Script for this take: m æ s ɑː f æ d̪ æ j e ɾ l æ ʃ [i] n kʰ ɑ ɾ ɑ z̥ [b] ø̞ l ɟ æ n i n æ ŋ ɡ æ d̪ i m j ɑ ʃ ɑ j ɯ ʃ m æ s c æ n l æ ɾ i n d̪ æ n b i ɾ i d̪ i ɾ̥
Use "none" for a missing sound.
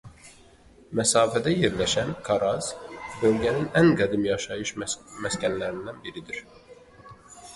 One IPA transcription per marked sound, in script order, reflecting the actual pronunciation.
æ, b

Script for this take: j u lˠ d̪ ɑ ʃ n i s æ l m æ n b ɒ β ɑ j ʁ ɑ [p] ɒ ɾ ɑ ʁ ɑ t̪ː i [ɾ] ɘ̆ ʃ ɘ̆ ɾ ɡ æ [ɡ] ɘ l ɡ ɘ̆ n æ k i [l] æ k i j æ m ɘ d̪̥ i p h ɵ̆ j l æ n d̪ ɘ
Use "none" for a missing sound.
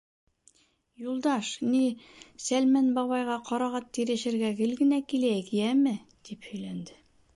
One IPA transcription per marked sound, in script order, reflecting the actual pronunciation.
q, ɾ, ɡ, l

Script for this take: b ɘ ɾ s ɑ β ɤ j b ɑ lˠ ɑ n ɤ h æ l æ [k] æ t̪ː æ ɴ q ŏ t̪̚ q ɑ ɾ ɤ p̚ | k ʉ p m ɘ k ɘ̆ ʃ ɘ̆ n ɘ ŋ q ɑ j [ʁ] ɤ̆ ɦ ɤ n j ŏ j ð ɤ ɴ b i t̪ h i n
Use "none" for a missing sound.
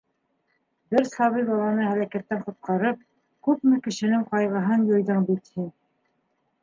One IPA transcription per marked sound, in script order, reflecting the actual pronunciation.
k, ʁ

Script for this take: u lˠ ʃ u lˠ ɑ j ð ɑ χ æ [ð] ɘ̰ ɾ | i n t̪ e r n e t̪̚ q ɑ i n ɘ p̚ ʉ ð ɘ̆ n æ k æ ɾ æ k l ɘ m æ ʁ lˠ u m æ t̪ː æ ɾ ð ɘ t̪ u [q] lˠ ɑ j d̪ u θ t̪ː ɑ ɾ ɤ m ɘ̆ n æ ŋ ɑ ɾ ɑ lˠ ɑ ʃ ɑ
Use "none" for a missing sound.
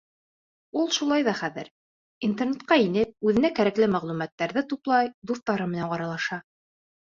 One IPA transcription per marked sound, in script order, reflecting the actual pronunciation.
ð, p

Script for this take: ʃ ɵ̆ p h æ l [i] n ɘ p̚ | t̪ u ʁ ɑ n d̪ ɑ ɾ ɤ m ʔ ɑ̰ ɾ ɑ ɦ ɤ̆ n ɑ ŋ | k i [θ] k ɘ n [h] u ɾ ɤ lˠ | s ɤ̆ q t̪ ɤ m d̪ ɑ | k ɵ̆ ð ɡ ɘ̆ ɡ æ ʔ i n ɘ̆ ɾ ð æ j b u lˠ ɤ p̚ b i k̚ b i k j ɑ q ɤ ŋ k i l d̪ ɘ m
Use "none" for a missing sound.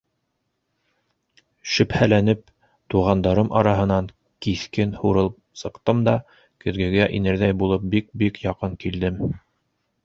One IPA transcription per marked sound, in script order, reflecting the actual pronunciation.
æ, θ, h

